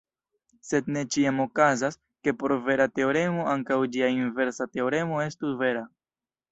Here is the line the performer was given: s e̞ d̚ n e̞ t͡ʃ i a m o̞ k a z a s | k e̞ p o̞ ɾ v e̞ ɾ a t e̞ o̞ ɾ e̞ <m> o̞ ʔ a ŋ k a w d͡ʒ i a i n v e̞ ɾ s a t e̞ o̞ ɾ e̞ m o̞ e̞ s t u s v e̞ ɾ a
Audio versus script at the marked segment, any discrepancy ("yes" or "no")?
no